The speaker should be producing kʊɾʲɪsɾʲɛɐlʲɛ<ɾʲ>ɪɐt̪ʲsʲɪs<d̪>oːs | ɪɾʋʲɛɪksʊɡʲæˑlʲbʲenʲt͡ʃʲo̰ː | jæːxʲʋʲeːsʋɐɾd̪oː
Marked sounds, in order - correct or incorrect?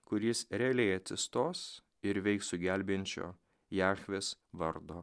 incorrect: none, incorrect: t̪

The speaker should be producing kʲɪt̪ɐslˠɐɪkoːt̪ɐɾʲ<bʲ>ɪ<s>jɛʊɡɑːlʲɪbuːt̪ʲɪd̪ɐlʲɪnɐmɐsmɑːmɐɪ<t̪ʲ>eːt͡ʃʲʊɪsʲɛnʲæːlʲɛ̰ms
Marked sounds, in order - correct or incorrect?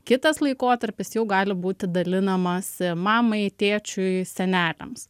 incorrect: pʲ, correct, correct

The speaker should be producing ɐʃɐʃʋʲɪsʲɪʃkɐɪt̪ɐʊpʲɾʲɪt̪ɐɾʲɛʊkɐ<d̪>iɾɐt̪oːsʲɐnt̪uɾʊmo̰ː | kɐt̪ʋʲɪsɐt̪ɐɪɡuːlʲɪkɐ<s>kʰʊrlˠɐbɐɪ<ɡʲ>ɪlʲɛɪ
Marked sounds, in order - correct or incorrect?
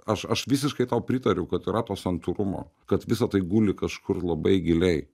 incorrect: t̪, incorrect: ʃ, correct

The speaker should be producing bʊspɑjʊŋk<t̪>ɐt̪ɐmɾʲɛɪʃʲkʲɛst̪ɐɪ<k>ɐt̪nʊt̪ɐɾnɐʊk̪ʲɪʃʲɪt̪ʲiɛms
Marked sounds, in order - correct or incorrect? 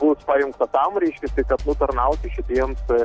correct, correct

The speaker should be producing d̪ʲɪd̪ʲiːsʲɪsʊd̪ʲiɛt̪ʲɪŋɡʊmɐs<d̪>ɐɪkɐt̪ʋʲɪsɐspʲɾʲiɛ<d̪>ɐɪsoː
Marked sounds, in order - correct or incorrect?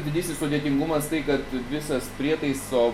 incorrect: t̪, incorrect: t̪

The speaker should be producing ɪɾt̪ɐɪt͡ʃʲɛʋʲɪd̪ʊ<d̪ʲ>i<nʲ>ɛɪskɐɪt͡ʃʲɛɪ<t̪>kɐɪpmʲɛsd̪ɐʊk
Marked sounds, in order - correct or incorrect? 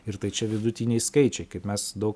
incorrect: t̪ʲ, correct, incorrect: none

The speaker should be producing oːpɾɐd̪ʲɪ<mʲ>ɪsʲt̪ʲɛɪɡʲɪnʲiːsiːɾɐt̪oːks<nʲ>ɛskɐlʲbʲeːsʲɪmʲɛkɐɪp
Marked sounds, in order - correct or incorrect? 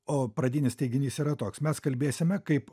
incorrect: nʲ, incorrect: mʲ

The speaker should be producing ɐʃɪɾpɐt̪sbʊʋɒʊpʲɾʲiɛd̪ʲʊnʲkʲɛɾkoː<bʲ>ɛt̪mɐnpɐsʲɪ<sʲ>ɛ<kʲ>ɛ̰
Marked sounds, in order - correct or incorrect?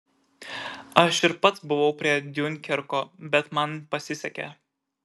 correct, correct, correct

